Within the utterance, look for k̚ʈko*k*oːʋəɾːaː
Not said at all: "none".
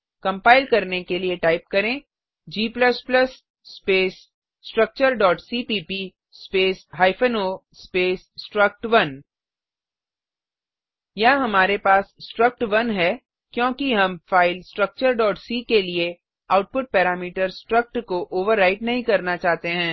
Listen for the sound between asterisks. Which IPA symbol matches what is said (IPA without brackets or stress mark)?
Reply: ʔ